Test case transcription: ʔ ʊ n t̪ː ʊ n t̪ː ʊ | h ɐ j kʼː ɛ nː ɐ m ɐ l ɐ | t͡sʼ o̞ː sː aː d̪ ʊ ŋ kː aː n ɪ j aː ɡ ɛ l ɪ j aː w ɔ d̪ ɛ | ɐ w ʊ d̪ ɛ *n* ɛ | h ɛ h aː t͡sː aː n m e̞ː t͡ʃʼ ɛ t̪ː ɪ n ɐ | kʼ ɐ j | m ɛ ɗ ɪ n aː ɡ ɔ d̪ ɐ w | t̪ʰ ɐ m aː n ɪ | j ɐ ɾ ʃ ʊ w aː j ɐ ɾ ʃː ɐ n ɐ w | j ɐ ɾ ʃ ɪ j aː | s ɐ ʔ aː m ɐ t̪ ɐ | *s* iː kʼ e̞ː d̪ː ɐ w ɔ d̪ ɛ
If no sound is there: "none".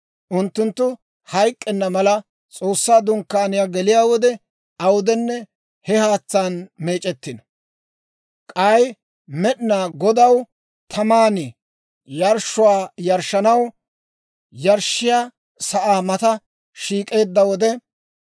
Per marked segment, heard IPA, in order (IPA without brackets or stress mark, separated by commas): nː, ʃ